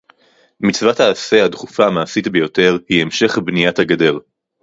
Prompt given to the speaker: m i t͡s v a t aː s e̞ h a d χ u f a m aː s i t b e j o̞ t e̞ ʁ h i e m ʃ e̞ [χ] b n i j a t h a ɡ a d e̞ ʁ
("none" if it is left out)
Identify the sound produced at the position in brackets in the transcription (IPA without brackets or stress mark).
χ